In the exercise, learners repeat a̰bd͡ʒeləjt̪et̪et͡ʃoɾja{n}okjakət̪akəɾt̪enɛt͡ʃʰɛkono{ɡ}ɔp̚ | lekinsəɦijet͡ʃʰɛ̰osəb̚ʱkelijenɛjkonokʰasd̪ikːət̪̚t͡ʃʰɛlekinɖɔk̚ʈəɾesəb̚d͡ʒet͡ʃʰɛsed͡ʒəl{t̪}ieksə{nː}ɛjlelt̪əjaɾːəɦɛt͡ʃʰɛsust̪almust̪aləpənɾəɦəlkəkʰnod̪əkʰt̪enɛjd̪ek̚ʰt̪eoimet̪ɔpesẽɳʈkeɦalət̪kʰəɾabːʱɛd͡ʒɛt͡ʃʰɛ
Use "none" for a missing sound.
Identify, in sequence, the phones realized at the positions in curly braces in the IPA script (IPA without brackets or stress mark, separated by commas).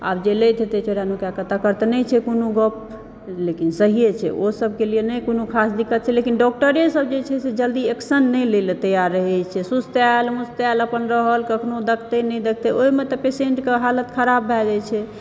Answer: n, ɡ, d̪, nː